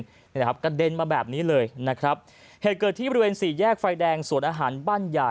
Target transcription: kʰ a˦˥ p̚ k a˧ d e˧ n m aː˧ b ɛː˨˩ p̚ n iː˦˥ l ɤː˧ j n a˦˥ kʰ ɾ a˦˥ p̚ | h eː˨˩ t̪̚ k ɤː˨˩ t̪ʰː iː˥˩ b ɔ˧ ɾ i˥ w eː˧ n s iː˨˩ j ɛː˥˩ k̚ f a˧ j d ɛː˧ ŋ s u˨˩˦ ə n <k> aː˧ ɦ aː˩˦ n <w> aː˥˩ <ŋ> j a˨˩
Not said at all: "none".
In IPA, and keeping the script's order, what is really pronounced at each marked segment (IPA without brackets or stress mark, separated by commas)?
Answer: ʔ, b, n